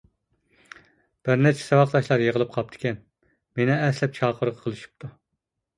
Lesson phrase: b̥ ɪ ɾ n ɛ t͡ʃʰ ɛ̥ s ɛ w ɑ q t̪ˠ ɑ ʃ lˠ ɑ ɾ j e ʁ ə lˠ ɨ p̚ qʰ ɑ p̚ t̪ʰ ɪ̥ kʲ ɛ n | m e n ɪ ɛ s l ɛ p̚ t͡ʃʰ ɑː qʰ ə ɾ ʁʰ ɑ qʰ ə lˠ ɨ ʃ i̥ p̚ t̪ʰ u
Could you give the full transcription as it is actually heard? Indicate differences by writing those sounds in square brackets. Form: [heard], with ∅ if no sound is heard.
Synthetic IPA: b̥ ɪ ɾ n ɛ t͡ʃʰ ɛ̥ s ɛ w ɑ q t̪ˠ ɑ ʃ lˠ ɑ ɾ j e ʁ ə lˠ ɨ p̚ qʰ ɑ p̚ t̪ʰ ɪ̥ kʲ ɛ n | m e n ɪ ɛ s l ɛ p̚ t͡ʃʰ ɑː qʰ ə ɾ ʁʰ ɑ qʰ ə lˠ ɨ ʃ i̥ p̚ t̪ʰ u